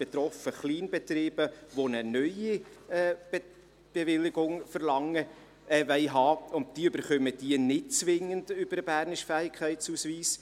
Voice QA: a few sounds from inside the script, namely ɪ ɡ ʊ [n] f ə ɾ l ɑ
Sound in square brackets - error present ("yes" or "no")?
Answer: yes